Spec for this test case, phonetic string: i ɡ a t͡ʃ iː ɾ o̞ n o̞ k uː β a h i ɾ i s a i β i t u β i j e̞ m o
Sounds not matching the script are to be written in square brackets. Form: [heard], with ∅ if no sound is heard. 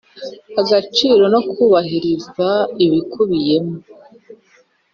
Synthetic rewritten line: [a] ɡ a t͡ʃ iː ɾ o̞ n o̞ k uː β a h i ɾ i [z] a i β i [k] u β i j e̞ m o